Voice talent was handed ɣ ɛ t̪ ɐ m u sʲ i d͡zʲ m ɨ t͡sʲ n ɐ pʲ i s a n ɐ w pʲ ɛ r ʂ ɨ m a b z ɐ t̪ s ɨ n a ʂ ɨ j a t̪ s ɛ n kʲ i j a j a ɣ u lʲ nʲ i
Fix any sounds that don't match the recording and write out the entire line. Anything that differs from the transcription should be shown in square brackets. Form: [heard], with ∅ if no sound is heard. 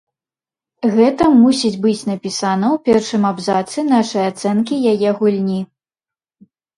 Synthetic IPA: ɣ ɛ t̪ ɐ m u sʲ i d͡zʲ [b] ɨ t͡sʲ n ɐ pʲ i s a n ɐ w pʲ ɛ r ʂ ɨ m a b z [a] t̪ s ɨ n a ʂ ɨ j a t̪ s ɛ n kʲ i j a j [ɛ] ɣ u lʲ nʲ i